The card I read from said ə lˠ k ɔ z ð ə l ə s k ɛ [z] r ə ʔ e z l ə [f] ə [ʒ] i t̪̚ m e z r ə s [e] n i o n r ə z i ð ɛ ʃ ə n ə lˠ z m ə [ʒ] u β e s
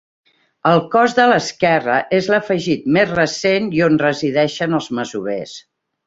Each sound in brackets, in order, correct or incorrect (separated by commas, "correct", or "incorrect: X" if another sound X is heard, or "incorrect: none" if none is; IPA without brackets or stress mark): incorrect: none, correct, correct, correct, incorrect: z